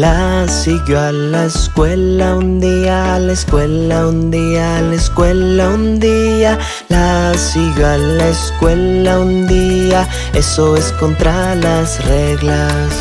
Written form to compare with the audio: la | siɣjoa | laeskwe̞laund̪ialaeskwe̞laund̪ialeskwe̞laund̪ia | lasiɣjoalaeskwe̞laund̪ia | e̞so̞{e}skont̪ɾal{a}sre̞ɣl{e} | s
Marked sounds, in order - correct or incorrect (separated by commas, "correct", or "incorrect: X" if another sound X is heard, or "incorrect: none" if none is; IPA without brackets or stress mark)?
correct, correct, incorrect: a